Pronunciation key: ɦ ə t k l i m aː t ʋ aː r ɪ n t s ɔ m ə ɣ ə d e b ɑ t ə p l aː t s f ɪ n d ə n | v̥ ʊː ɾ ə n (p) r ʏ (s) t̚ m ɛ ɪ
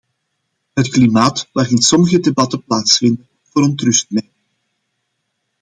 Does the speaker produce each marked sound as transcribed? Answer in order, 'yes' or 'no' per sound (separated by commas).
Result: no, yes